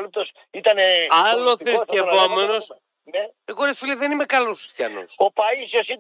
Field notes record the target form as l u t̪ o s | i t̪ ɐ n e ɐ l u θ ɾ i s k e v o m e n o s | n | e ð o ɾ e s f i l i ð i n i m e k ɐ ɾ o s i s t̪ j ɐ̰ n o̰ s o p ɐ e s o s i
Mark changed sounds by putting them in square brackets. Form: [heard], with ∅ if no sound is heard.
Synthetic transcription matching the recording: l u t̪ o s | i t̪ ɐ n e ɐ l [o] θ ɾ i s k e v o m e n o s | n | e [ɣ] o ɾ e s f i l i ð [e] n i m e k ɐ [l] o s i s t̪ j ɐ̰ n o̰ s o p ɐ [i] s o s i